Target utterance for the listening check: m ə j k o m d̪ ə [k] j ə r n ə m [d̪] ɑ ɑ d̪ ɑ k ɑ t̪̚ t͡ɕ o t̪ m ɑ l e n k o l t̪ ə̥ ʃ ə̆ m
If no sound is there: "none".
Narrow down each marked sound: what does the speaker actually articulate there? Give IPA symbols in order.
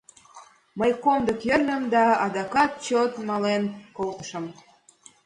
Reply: k, d̪

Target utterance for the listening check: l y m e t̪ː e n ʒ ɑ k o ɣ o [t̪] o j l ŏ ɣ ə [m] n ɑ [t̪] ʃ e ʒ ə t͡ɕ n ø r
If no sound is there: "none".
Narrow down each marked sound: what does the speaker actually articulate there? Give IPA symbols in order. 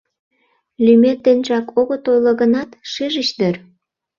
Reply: t̪, none, t̪

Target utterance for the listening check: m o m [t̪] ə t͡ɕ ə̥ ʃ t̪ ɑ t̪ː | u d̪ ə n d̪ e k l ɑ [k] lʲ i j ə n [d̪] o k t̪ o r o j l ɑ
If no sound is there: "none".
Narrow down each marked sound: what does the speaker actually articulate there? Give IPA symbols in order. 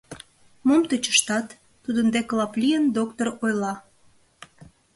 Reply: t̪, p, d̪

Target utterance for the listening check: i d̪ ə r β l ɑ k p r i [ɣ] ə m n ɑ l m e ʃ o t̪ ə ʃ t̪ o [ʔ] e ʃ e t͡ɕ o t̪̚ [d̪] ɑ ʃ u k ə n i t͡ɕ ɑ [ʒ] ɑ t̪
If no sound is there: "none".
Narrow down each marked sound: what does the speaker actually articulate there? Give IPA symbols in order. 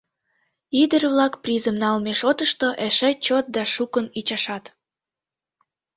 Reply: z, ʔ, d̪, ʃ

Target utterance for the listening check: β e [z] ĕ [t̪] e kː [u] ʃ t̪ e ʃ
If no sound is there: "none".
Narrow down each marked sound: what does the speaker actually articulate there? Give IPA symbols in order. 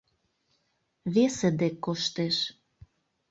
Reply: s, d̪, o

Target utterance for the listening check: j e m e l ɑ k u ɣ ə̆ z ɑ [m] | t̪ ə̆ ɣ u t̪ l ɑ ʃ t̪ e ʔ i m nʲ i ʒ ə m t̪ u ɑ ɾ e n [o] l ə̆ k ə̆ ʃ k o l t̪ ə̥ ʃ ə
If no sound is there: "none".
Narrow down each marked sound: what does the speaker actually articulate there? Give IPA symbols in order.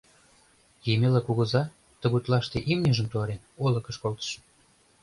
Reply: none, o

